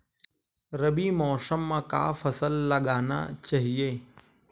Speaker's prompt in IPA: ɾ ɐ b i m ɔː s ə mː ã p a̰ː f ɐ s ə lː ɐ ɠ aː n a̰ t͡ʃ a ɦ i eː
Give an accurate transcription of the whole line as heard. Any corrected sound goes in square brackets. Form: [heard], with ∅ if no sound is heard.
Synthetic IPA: ɾ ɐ b i m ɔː s ə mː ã [k] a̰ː f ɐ s ə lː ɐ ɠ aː n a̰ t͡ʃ a ɦ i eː